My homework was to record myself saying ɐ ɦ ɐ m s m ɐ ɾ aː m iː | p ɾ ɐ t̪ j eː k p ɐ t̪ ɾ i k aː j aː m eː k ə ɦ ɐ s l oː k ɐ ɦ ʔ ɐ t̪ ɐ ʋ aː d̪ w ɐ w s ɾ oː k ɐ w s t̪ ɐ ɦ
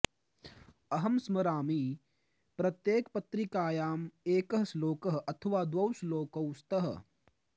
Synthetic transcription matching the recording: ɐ ɦ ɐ m s m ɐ ɾ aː m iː | p ɾ ɐ t̪ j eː k p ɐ t̪ ɾ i k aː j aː m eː k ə ɦ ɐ s l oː k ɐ ɦ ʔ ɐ t̪ʰ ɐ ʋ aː d̪ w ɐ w s l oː k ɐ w s t̪ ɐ ɦ

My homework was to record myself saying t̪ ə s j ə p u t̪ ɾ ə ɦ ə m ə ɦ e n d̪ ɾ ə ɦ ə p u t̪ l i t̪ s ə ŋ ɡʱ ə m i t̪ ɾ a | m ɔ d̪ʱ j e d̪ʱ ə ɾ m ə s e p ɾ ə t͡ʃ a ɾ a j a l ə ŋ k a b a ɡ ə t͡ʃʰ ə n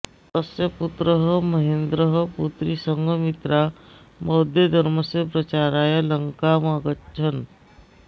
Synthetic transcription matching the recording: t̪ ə s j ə p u t̪ ɾ ə ɦ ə m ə ɦ e n d̪ ɾ ə ɦ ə p u t̪ ɾ i s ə ŋ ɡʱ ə m i t̪ ɾ a | m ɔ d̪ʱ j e d̪ʱ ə ɾ m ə s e p ɾ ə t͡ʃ a ɾ a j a l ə ŋ k a m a ɡ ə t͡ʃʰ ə n

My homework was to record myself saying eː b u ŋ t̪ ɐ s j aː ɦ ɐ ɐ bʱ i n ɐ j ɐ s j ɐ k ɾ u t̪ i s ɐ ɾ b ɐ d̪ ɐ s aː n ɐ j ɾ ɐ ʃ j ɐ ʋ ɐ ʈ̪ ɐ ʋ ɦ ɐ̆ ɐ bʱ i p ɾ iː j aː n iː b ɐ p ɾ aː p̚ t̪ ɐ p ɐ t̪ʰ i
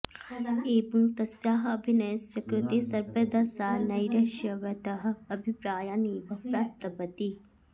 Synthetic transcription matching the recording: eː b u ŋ t̪ ɐ s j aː ɦ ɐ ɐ bʱ i n ɐ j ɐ s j ɐ k ɾ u t̪ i s ɐ ɾ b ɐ d̪ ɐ s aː n ɐ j ɾ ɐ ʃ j ɐ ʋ ɐ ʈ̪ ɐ ɦ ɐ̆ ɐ bʱ i p ɾ aː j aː n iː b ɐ p ɾ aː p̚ t̪ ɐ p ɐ t̪ i

